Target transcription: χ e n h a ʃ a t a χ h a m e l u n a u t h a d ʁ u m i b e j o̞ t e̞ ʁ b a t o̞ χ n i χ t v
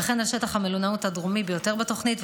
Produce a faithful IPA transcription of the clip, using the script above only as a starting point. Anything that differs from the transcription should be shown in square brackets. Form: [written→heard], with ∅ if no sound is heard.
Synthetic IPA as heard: χ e n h a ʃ [a→e] t a χ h a m e l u n a u t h a d ʁ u m i b e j o̞ t e̞ ʁ b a t o̞ χ n i [χ→∅] t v